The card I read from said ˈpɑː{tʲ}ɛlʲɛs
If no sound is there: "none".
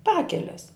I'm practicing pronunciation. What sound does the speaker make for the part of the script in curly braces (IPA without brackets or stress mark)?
kʲ